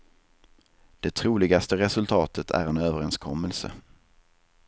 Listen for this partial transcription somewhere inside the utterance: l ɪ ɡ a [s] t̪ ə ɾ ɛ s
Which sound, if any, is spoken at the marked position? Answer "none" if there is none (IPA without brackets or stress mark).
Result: s